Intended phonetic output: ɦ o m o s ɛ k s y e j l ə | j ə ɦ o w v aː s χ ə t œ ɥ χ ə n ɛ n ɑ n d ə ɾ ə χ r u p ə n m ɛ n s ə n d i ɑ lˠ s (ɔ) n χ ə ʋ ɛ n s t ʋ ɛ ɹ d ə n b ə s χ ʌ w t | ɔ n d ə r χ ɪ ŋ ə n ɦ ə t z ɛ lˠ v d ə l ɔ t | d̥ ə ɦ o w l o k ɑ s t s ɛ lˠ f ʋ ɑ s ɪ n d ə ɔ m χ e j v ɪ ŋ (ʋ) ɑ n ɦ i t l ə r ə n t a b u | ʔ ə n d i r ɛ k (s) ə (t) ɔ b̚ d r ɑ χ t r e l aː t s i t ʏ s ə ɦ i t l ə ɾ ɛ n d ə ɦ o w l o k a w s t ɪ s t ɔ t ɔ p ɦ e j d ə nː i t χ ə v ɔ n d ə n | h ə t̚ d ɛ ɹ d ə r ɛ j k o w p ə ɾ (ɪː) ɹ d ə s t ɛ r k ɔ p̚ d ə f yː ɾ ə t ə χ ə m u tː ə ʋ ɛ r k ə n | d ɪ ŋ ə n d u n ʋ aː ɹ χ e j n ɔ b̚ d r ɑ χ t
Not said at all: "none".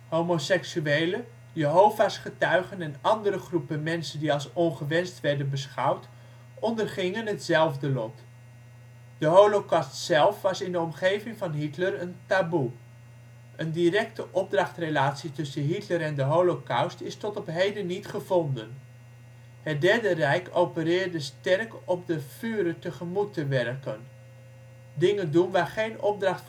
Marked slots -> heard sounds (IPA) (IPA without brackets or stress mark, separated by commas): ɔ, v, t, ʔ, ɪː